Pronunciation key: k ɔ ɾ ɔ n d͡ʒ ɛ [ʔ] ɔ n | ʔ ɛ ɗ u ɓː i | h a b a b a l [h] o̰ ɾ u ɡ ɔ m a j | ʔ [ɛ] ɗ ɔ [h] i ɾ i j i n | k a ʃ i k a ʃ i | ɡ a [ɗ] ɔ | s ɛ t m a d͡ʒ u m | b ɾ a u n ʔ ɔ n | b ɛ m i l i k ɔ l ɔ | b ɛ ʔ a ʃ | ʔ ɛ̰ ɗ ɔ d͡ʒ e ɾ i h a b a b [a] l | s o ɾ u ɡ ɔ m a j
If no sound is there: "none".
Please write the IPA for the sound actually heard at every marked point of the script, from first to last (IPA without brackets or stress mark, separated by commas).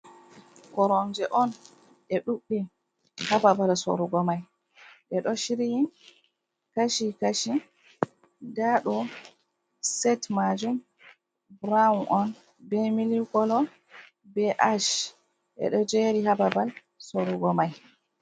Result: ʔ, s, ɛ, ʃ, ɗ, a